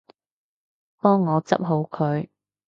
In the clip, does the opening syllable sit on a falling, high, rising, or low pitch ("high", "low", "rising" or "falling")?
high